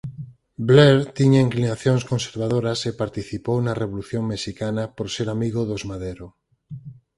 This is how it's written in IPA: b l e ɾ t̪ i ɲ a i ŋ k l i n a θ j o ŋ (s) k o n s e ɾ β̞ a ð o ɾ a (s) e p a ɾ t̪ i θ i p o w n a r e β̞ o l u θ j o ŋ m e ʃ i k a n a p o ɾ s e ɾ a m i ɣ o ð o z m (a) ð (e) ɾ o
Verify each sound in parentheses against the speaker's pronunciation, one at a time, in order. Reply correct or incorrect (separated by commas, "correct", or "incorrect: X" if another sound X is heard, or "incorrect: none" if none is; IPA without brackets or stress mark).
correct, correct, correct, correct